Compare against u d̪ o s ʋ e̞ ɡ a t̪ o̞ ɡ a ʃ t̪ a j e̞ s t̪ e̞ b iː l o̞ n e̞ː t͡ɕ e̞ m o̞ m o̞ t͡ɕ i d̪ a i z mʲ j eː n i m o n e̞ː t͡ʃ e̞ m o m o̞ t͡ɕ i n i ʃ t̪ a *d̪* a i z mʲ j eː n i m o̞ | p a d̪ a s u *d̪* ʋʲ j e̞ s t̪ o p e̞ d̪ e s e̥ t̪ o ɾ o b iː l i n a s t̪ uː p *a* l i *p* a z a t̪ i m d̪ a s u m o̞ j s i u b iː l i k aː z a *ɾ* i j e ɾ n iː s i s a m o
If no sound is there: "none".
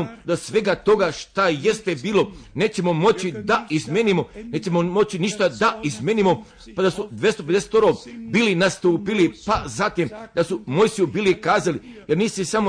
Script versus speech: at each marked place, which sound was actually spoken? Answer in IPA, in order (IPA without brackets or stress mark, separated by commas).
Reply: d̪, d̪, i, p, l